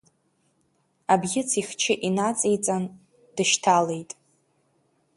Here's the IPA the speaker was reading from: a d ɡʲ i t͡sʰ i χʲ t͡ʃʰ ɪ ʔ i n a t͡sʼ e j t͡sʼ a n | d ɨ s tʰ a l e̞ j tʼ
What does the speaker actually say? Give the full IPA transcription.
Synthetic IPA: a b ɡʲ ɪ t͡sʰ i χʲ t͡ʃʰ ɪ ʔ i n a t͡sʼ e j t͡sʼ a n | d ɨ ʃ tʰ a l e̞ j tʼ

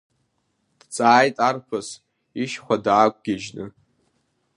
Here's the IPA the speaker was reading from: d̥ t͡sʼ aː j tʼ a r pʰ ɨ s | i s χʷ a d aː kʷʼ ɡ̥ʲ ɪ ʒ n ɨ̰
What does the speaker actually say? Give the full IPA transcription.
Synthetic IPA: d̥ t͡sʼ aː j tʼ a r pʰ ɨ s | i ʃ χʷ a d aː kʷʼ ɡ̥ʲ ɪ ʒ n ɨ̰

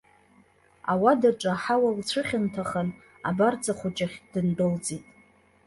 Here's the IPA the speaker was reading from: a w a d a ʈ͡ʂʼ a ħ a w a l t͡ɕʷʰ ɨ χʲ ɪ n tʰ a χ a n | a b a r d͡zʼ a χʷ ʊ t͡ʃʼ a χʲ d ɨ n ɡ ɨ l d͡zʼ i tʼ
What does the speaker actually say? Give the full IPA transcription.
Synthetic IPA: a w a d a ʈ͡ʂʼ a ħ a w a l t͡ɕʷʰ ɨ χʲ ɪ n tʰ a χ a n | a b a r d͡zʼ a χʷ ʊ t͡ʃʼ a χʲ d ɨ n d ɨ l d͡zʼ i tʼ

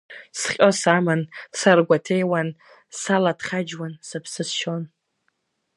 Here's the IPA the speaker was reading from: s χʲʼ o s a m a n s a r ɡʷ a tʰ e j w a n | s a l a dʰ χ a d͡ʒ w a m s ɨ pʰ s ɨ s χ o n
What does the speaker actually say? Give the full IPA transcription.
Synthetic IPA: s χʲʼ o s a m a n s a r ɡʷ a tʰ e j w a n | s a l a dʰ χ a d͡ʒ w a n s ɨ pʰ s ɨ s ʃ o n

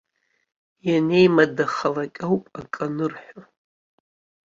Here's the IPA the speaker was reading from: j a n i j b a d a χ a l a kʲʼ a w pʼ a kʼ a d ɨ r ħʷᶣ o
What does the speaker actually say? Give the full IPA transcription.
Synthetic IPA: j a n e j m a d a χ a l a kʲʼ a w pʼ a kʼ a n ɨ r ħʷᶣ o

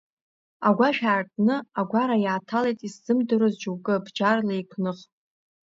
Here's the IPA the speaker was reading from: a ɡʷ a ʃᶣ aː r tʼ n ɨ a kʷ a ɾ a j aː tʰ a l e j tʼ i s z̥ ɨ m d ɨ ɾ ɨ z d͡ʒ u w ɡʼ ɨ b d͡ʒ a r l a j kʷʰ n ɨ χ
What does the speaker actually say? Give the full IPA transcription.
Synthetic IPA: a ɡʷ a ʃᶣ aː r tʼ n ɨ a ɡʷ a ɾ a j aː tʰ a l e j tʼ i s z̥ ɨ m d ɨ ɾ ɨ z d͡ʒ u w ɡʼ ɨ b d͡ʒ a r l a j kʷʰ n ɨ χ

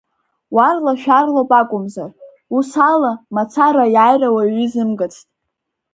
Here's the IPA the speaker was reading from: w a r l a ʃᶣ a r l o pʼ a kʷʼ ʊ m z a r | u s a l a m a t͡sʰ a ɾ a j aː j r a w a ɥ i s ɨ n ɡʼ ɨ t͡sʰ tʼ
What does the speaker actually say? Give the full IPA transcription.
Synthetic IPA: w a r l a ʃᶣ a r l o pʼ a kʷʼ ʊ m z a r | u s a l a m a t͡sʰ a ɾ a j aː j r a w a ɥ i z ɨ m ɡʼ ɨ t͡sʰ tʼ

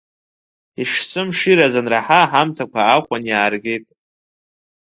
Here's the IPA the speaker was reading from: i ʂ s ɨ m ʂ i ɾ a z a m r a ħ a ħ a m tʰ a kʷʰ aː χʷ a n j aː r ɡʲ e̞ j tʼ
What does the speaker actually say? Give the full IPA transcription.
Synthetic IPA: i ʂ s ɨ m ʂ i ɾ a z a n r a ħ a ħ a m tʰ a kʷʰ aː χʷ a n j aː r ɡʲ e̞ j tʼ

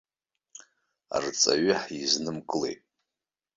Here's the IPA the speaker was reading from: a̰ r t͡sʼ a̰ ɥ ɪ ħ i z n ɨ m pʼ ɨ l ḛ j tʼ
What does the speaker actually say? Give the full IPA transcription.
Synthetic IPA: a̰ r t͡sʼ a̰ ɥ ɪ ħ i z n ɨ m kʼ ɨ l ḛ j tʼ

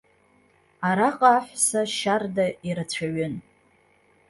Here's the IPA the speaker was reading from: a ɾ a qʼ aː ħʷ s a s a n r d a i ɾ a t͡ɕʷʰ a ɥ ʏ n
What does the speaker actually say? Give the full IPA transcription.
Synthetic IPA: a ɾ a qʼ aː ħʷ s a ʃ a r d a i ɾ a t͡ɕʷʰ a ɥ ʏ n

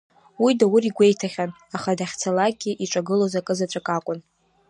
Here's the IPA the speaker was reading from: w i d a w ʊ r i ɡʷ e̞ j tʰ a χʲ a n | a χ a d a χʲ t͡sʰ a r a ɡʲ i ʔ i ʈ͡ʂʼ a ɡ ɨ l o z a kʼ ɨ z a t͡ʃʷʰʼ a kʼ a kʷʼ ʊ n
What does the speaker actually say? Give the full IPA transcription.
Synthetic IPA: w i d a w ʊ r i ɡʷ e̞ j tʰ a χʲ a n | a χ a d a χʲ t͡sʰ a l a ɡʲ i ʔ i ʈ͡ʂʼ a ɡ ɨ l o z a kʼ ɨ z a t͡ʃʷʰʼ a kʼ a kʷʼ ʊ n

